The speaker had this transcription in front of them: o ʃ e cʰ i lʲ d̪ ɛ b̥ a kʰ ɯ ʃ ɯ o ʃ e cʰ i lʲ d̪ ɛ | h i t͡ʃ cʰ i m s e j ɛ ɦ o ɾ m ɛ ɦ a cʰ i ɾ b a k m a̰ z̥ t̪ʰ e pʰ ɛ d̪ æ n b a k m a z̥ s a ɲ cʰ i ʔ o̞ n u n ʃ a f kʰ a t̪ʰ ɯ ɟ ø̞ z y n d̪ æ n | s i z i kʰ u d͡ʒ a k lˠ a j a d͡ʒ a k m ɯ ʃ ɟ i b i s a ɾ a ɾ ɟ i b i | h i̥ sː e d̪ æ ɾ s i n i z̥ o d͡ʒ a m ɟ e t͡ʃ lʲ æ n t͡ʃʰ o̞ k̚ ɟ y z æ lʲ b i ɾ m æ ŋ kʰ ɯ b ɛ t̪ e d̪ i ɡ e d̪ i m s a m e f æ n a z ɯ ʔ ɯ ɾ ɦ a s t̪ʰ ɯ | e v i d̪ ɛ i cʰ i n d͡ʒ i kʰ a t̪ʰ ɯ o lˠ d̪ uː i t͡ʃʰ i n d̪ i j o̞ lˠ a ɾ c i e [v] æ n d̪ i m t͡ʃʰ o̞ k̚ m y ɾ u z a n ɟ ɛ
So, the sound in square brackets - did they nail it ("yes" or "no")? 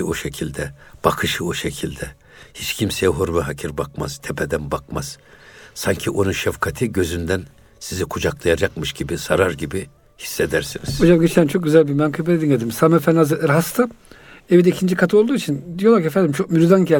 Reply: no